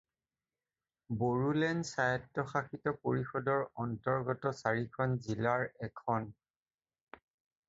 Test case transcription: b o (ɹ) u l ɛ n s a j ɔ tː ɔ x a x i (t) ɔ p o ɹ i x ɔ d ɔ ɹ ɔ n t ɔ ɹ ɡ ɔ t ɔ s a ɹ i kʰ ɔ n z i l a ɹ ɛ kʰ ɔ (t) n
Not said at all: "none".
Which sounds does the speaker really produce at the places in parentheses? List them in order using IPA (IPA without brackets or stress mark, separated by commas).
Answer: ɹ, t, none